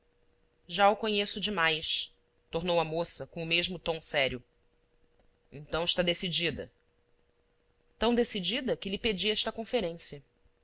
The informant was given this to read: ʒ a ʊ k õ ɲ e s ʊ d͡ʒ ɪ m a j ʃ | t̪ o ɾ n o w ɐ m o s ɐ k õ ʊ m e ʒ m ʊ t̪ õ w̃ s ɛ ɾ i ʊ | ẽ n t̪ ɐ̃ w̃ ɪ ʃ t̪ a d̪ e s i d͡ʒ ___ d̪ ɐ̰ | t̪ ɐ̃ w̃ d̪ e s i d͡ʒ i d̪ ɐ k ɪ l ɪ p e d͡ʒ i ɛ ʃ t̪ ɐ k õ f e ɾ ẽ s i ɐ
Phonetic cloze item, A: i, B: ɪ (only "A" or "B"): A